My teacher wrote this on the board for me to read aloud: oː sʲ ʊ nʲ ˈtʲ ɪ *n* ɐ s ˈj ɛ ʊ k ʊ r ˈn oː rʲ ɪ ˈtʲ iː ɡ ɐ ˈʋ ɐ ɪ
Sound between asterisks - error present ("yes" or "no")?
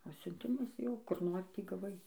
yes